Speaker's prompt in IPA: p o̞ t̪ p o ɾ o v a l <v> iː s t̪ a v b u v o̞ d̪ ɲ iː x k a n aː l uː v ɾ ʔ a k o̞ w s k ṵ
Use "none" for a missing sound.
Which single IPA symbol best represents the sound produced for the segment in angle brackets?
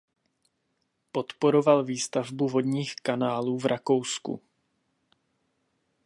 v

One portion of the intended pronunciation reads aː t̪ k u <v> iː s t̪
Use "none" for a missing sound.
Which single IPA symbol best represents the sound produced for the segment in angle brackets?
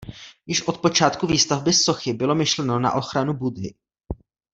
v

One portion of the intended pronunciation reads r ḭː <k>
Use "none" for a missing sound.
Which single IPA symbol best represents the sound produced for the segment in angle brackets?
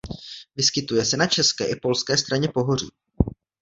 none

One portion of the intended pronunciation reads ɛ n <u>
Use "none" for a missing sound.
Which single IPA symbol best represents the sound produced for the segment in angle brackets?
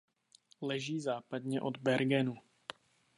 u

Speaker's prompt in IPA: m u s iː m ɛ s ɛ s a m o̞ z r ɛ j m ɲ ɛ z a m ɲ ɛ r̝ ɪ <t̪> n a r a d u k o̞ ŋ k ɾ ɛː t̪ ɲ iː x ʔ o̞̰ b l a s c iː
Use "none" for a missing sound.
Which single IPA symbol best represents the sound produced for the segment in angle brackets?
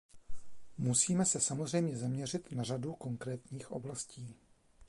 t̪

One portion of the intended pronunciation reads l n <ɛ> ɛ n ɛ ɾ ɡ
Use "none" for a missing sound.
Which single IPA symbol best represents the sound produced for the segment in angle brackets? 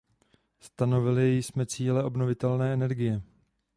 ɛː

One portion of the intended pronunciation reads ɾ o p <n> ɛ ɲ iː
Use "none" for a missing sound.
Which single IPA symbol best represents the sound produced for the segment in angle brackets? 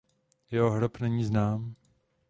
n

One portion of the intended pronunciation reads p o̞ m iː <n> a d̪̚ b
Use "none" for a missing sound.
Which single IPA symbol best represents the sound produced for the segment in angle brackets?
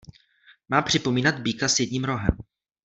n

